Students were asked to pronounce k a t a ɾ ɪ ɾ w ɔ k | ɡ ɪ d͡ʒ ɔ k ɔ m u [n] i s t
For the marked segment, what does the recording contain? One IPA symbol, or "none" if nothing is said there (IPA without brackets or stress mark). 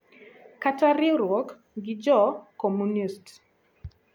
n